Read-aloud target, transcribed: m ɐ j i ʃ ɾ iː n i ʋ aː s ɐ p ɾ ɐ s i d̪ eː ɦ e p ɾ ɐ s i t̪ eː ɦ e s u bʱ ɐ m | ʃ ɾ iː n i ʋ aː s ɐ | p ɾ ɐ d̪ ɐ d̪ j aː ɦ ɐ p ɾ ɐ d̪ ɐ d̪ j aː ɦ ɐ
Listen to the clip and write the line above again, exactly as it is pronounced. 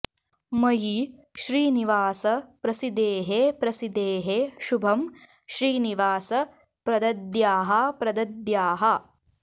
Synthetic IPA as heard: m ɐ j i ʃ ɾ iː n i ʋ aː s ɐ p ɾ ɐ s i d̪ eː ɦ e p ɾ ɐ s i d̪ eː ɦ e ʃ u bʱ ɐ m | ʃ ɾ iː n i ʋ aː s ɐ | p ɾ ɐ d̪ ɐ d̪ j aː ɦ ɐ p ɾ ɐ d̪ ɐ d̪ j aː ɦ ɐ